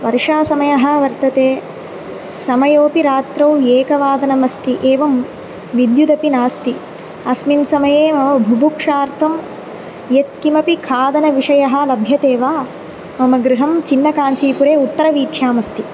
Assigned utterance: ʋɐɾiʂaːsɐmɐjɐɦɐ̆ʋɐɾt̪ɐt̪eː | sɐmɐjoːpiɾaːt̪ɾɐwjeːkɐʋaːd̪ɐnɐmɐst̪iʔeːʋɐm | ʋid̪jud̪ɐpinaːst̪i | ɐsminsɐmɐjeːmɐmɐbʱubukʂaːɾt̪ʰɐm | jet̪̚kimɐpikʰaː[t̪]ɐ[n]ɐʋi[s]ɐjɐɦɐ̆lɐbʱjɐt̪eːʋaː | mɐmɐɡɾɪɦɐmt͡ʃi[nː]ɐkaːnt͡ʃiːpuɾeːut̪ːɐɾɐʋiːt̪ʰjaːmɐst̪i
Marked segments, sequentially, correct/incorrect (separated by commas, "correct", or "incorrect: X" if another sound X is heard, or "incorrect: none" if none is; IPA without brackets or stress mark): incorrect: d̪, correct, incorrect: ʂ, correct